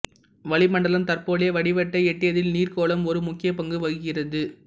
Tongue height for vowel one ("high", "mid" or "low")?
low